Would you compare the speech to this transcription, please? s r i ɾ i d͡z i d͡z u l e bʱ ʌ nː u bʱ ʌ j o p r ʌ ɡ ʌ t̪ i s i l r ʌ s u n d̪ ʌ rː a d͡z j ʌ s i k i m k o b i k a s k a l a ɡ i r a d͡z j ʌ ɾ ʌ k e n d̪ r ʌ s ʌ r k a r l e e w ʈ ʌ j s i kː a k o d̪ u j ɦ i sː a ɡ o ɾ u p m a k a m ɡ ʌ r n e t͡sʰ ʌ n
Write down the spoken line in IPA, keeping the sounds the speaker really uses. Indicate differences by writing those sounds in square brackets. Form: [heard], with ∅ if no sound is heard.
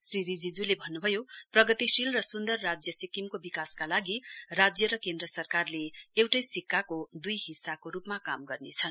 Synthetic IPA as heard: s r i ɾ i d͡z i d͡z u l e bʱ ʌ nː u bʱ ʌ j o p r ʌ ɡ ʌ t̪ i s i l r ʌ s u n d̪ ʌ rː a d͡z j ʌ s i k i m k o b i k a s k a l a ɡ i r a d͡z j ʌ ɾ ʌ k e n d̪ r ʌ s ʌ r k a r l e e w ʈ ʌ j s i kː a k o d̪ u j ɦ i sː a [k] o ɾ u p m a k a m ɡ ʌ r n e t͡sʰ ʌ n